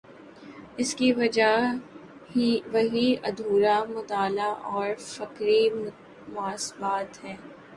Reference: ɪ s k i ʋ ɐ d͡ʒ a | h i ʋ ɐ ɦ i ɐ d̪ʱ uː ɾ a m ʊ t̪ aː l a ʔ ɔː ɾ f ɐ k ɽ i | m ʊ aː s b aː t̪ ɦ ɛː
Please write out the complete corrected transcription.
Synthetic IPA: ɪ s k i ʋ ɐ d͡ʒ a | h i ʋ ɐ ɦ i ɐ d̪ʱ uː ɾ a m ʊ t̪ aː l a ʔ ɔː ɾ f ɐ k ɾ i | m ʊ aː s b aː t̪ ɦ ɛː